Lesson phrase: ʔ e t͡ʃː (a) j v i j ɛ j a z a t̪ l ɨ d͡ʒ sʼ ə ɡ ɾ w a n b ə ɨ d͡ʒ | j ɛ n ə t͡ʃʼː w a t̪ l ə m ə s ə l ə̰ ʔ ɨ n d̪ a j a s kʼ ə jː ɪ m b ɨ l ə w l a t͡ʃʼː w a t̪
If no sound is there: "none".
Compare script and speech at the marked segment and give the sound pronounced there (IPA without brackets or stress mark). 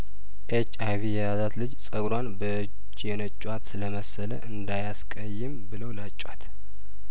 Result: a